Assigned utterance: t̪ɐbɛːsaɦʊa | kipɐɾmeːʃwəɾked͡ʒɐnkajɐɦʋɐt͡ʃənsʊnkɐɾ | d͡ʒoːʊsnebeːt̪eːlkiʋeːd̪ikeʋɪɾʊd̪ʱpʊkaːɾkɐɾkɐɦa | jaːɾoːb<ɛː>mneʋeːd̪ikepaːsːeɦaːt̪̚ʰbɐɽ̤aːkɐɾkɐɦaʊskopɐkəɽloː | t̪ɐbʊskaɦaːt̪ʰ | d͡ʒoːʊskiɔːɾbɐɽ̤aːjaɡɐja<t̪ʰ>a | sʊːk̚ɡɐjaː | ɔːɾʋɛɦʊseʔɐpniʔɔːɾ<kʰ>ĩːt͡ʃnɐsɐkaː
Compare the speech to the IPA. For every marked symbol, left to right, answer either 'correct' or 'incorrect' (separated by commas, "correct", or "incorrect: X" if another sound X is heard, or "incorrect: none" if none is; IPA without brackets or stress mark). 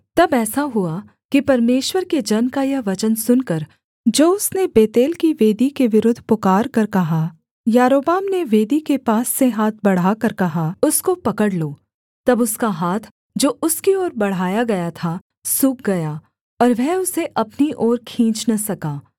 incorrect: aː, correct, correct